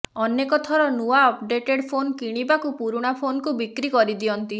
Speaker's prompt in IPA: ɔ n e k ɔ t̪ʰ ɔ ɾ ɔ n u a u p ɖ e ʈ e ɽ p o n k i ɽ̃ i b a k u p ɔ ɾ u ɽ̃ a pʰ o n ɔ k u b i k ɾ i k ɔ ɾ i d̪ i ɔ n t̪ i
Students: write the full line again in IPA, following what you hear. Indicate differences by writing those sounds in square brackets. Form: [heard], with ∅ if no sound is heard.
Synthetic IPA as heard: ɔ n e k ɔ t̪ʰ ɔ ɾ ɔ n u a [ɔ] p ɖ e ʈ e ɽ [pʰ] o n k i ɽ̃ i b a k u p [u] ɾ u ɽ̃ a pʰ o n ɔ k u b i k ɾ i k ɔ ɾ i d̪ i ɔ n t̪ i